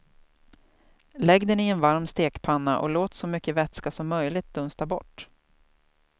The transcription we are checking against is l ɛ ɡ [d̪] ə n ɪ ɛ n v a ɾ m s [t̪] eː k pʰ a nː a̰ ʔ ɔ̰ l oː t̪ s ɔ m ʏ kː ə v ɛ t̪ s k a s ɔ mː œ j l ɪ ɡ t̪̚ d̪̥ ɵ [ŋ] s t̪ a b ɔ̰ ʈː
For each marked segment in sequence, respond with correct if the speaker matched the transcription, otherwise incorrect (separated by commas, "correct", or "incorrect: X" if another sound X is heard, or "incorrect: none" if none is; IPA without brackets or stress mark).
correct, correct, incorrect: n